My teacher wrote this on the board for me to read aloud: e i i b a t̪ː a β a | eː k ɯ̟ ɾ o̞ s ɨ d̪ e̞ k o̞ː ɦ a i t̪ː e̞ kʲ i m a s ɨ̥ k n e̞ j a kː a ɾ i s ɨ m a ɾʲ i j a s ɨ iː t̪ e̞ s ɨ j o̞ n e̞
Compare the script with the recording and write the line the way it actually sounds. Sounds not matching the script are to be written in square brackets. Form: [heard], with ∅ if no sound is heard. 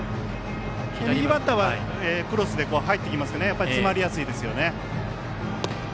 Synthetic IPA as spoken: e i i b a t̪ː a β a | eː k ɯ̟ ɾ o̞ s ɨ d̪ e̞ k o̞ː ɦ a i t̪ː e̞ kʲ i m a s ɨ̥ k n e̞ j a [pː] a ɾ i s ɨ m a ɾʲ i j a s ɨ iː [d̪] e̞ s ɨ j o̞ n e̞

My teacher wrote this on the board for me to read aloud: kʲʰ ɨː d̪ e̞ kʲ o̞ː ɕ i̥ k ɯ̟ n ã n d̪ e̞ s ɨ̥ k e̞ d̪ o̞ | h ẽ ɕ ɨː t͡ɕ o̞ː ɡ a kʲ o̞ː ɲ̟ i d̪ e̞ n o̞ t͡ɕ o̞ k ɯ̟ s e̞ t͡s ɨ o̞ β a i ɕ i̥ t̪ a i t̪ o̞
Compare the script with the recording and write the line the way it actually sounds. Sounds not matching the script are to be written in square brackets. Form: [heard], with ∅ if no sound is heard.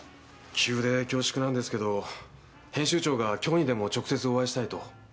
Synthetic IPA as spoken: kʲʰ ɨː d̪ e̞ kʲ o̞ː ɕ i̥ k ɯ̟ n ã n d̪ e̞ s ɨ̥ k e̞ d̪ o̞ | h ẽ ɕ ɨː t͡ɕ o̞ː ɡ a kʲ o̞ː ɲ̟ i d̪ e̞ [m] o̞ t͡ɕ o̞ k ɯ̟ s e̞ t͡s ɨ o̞ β a i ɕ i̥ t̪ a i t̪ o̞

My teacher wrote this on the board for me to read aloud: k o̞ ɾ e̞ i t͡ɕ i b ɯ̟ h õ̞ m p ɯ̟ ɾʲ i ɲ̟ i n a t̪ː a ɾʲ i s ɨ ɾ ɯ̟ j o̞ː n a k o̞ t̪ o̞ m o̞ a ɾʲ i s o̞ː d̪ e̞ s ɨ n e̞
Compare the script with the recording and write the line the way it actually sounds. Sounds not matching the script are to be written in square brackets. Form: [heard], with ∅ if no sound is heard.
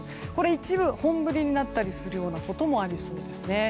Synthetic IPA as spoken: k o̞ ɾ e̞ i t͡ɕ i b ɯ̟ h õ̞ m [b] ɯ̟ ɾʲ i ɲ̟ i n a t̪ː a ɾʲ i s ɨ ɾ ɯ̟ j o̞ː n a k o̞ t̪ o̞ m o̞ a ɾʲ i s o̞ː d̪ e̞ s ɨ n e̞

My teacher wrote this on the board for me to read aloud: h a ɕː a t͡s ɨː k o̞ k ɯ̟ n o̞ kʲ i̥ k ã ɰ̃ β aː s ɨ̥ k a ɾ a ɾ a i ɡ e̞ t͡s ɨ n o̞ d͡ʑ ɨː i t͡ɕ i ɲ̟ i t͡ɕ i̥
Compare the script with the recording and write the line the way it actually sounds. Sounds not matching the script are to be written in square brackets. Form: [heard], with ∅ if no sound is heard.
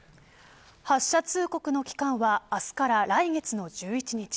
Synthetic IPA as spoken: h a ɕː a t͡s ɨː k o̞ k ɯ̟ n o̞ kʲ i̥ k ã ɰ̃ β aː s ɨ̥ k a ɾ a ɾ a i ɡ e̞ t͡s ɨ n o̞ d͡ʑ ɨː i t͡ɕ i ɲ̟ i t͡ɕ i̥

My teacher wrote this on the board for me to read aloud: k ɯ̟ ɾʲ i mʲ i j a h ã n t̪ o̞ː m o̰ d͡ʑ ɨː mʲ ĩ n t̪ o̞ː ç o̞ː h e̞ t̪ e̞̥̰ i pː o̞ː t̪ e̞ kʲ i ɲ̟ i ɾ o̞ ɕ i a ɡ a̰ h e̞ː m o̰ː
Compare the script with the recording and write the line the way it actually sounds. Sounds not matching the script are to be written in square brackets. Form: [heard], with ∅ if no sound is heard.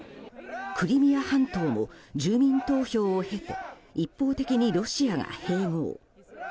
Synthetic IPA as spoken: k ɯ̟ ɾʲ i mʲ i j a h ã n t̪ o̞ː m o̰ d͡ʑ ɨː mʲ ĩ n t̪ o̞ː ç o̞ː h e̞ t̪ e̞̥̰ i pː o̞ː t̪ e̞ kʲ i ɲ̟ i ɾ o̞ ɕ i a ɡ a̰ h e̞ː m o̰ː

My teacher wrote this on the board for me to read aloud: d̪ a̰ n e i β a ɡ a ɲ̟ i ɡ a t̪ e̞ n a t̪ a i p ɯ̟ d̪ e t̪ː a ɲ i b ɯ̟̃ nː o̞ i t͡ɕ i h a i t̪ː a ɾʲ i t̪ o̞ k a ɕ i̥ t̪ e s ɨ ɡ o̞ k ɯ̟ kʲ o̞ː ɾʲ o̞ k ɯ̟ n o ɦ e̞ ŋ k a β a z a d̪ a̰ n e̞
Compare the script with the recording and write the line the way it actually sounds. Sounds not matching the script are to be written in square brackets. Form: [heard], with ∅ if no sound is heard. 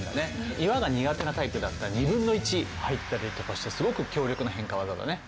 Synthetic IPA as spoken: d̪ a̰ n e i β a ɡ a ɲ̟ i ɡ a t̪ e̞ n a t̪ a i p ɯ̟ d̪ [a] t̪ː a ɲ i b ɯ̟̃ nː o̞ i t͡ɕ i h a i t̪ː a ɾʲ i t̪ o̞ k a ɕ i̥ t̪ e s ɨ ɡ o̞ k ɯ̟ kʲ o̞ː ɾʲ o̞ k ɯ̟ n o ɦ [ẽ̞] ŋ k a β a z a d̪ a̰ n e̞

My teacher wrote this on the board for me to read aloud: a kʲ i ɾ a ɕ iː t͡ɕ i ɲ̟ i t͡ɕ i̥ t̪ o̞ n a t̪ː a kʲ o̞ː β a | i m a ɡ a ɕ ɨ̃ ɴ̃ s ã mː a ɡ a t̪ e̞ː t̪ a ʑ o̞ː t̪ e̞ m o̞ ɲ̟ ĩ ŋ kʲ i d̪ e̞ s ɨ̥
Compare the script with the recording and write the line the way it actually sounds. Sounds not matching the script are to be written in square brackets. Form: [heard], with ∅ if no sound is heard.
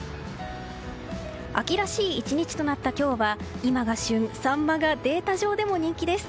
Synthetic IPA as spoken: a kʲ i ɾ a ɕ iː t͡ɕ i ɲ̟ i t͡ɕ i̥ t̪ o̞ n a t̪ː a kʲ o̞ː β a | i m a ɡ a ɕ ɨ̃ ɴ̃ s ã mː a ɡ a [d̪] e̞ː t̪ a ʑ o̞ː [d̪] e̞ m o̞ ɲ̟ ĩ ŋ kʲ i d̪ e̞ s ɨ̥

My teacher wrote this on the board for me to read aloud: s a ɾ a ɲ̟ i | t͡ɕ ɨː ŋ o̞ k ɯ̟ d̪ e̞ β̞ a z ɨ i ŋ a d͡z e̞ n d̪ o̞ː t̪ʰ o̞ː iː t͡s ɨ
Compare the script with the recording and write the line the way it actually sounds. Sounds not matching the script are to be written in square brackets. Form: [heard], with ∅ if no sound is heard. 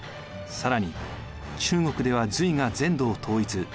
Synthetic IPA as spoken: s a ɾ a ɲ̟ i | t͡ɕ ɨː ŋ o̞ k ɯ̟ d̪ e̞ β̞ a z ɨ i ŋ a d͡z [ẽ̞] n d̪ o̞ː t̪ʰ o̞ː [i] t͡s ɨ

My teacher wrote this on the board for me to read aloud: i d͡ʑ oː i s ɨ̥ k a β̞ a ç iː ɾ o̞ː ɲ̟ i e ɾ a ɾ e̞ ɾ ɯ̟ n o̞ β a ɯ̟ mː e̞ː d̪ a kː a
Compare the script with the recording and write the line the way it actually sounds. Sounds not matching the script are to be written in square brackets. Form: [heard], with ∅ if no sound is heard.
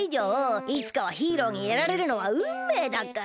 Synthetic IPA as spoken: i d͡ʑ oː i [t͡s] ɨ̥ k a β̞ a ç iː ɾ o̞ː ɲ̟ i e ɾ a ɾ e̞ ɾ ɯ̟ n o̞ β a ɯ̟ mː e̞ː d̪ a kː a

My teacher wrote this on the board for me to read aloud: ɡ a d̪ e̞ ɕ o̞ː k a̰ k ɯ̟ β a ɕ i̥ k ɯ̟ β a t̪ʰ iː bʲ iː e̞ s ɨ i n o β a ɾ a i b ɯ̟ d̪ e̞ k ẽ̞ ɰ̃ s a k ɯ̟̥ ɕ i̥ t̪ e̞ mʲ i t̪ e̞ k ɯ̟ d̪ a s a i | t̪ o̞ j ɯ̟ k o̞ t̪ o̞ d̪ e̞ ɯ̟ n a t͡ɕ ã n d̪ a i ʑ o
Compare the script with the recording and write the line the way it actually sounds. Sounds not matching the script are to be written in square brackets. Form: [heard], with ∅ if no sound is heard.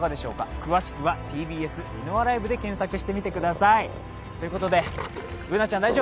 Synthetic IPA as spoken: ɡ a d̪ e̞ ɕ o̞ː k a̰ k ɯ̟ β a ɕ i̥ k ɯ̟ β a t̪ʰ iː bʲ iː e̞ s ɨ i n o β a ɾ a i b ɯ̟ d̪ e̞ k ẽ̞ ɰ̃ s a k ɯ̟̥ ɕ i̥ t̪ e̞ mʲ i t̪ e̞ k ɯ̟ d̪ a s a i | t̪ o̞ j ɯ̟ k o̞ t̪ o̞ d̪ e̞ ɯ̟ n a t͡ɕ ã n d̪ a i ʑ o

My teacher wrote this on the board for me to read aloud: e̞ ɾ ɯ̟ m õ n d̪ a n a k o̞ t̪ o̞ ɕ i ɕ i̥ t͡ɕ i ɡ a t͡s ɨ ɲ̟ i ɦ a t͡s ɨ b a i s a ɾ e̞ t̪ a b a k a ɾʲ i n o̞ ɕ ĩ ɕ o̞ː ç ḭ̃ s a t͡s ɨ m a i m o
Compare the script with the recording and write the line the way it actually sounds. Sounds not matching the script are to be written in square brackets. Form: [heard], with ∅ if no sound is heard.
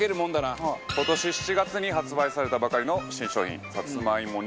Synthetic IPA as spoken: e̞ ɾ ɯ̟ m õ n d̪ a n a k o̞ t̪ o̞ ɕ i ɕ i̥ t͡ɕ i ɡ a t͡s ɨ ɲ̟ i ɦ a t͡s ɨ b a i s a ɾ e̞ t̪ a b a k a ɾʲ i n o̞ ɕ ĩ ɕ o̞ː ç ḭ̃ s a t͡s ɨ m a i m o

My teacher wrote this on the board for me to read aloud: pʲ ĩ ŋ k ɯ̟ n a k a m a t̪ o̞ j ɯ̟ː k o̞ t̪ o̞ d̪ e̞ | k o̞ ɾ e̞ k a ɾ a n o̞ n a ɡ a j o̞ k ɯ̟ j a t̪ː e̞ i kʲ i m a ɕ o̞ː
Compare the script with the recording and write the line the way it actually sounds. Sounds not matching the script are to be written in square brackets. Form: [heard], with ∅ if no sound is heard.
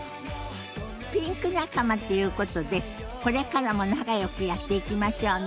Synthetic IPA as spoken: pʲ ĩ ŋ k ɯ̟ n a k a m a t̪ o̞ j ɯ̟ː k o̞ t̪ o̞ d̪ e̞ | k o̞ ɾ e̞ k a ɾ a [m] o̞ n a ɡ a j o̞ k ɯ̟ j a t̪ː e̞ i kʲ i m a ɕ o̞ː

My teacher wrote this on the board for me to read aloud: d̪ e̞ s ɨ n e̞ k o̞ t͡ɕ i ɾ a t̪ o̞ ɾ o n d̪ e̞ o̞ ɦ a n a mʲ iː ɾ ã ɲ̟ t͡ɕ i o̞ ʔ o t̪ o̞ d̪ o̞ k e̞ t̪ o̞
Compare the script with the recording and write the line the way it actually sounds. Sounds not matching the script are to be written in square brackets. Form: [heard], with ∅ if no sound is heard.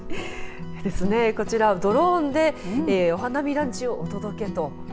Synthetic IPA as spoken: d̪ e̞ s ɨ n e̞ k o̞ t͡ɕ i ɾ a [d̪] o̞ ɾ o n d̪ e̞ o̞ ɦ a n a mʲ [i] ɾ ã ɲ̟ t͡ɕ i o̞ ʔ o t̪ o̞ d̪ o̞ k e̞ t̪ o̞

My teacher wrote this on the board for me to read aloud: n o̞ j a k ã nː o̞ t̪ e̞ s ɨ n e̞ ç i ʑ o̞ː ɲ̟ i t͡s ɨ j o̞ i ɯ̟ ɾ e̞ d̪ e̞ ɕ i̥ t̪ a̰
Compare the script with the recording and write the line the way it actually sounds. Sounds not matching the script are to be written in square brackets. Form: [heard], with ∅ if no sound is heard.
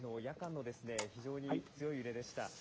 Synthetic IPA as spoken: n o̞ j a k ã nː o̞ [d̪] e̞ s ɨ n e̞ ç i ʑ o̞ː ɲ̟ i t͡s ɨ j o̞ i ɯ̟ ɾ e̞ d̪ e̞ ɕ i̥ t̪ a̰

